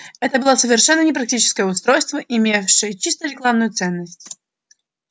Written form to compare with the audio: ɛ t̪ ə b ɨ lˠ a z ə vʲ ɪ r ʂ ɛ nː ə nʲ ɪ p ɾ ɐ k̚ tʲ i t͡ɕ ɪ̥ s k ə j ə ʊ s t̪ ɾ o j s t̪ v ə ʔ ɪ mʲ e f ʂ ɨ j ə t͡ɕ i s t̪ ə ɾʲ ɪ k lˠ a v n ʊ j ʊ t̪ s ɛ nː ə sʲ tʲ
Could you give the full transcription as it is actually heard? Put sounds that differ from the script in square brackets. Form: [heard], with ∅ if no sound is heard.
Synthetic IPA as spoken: ɛ t̪ ə b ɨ lˠ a [s] ə vʲ ɪ r ʂ ɛ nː ə nʲ ɪ p ɾ ɐ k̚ tʲ i t͡ɕ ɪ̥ s k ə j ə ʊ s t̪ ɾ o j s t̪ v ə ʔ ɪ mʲ e f ʂ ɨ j ə t͡ɕ i s t̪ ə ɾʲ ɪ k lˠ a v n ʊ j ʊ t̪ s ɛ nː ə sʲ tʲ